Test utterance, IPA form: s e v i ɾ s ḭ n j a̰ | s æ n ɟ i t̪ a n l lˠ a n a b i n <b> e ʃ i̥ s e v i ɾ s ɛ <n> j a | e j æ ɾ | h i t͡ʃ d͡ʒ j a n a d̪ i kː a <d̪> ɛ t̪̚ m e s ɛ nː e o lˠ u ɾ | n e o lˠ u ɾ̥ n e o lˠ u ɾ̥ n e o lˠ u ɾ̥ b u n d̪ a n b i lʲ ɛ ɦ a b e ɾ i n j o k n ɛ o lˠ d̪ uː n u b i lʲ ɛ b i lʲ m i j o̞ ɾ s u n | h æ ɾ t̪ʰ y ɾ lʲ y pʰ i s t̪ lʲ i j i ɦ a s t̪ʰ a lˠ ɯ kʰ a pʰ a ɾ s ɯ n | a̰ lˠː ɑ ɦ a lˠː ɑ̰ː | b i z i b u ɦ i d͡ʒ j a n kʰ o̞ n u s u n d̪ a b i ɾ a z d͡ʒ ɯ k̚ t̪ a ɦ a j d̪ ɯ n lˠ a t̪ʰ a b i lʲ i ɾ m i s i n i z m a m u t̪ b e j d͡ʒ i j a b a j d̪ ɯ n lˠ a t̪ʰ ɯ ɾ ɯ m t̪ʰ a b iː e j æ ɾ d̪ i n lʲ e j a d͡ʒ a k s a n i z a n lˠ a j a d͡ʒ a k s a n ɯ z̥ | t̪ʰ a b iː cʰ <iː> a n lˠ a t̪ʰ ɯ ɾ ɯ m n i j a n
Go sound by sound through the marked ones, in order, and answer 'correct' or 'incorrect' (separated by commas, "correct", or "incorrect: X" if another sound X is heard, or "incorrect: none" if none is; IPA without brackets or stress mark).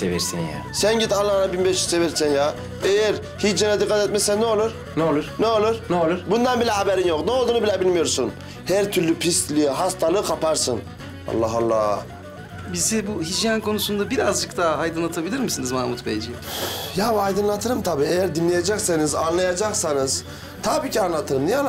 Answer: correct, correct, incorrect: t̪, incorrect: i